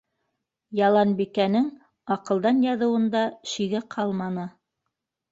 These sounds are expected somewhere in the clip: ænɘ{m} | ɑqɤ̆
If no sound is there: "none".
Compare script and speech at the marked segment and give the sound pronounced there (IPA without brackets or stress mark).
ŋ